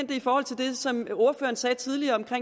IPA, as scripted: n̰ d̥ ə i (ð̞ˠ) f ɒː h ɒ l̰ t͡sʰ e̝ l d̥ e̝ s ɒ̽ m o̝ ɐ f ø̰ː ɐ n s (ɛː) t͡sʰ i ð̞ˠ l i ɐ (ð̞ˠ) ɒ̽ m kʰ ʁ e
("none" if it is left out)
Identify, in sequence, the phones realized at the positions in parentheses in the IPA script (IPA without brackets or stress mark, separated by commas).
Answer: none, ɛː, none